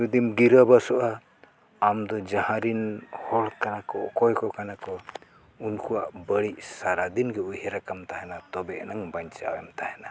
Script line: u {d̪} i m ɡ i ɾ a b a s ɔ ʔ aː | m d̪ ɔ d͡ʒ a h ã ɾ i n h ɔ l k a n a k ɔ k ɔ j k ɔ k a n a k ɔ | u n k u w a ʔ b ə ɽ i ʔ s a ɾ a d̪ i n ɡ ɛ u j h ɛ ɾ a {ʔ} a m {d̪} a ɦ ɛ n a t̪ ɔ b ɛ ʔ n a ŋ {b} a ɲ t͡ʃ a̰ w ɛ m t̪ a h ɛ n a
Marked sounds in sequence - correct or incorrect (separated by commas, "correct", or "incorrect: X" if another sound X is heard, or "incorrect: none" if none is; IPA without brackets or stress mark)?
correct, incorrect: k, incorrect: t̪, correct